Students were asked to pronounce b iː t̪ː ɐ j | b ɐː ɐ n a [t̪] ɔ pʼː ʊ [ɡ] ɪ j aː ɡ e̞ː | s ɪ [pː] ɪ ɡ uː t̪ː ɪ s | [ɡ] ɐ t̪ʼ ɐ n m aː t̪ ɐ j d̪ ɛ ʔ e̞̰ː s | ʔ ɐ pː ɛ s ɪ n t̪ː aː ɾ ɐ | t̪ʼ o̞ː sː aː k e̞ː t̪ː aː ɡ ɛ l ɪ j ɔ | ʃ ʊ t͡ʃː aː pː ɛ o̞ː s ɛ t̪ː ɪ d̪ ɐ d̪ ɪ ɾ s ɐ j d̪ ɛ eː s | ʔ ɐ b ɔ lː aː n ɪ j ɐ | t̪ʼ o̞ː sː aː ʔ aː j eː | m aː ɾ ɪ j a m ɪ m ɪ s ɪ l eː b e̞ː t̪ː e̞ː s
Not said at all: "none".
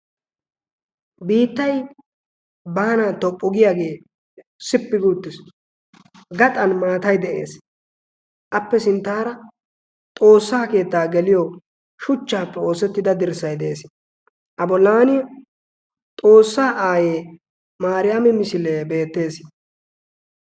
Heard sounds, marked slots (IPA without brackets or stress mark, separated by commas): t̪, ɡ, pː, ɡ